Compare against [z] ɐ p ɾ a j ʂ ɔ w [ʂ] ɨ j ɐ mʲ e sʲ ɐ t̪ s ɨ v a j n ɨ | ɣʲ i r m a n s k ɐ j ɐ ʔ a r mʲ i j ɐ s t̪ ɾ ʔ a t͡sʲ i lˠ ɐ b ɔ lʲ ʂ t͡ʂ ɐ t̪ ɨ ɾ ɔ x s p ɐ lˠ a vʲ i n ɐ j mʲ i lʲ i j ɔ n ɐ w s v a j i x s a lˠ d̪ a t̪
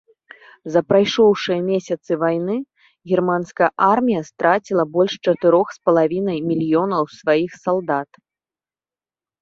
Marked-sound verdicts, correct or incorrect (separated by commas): correct, correct